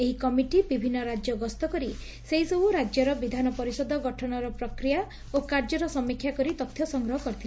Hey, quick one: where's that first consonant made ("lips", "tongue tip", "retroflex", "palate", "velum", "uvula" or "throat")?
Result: throat